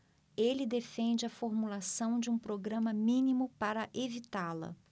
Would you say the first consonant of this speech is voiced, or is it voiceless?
voiced